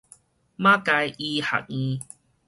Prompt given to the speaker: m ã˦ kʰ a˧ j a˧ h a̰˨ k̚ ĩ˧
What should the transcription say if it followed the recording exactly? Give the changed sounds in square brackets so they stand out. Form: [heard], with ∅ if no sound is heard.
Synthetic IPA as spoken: m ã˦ [k] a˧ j [i˧] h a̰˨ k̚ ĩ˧